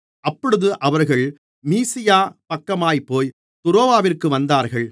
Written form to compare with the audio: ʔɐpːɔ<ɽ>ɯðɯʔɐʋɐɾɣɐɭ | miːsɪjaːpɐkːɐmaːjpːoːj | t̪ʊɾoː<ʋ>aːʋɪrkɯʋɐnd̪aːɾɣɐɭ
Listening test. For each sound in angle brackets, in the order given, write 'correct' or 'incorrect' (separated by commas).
correct, correct